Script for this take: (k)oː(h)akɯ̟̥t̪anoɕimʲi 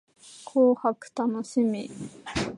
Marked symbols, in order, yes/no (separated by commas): no, yes